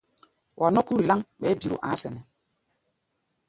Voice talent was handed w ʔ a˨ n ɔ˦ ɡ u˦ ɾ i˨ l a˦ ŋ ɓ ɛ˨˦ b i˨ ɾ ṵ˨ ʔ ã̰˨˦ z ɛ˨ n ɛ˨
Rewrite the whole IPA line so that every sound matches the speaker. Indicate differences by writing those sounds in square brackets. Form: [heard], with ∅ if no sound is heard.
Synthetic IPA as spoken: w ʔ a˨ n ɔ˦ [k] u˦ ɾ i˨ l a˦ ŋ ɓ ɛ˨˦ b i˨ ɾ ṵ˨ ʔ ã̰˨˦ [s] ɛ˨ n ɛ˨